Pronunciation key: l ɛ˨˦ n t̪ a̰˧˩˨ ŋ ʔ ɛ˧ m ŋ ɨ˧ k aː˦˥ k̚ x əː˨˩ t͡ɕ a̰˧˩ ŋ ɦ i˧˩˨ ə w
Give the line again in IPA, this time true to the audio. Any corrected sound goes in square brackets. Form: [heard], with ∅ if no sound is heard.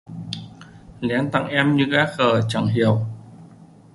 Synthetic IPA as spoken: l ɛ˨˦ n t̪ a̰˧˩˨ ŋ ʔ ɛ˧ m [ɲ] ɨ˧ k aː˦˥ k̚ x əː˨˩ t͡ɕ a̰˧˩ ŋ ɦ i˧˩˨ ə w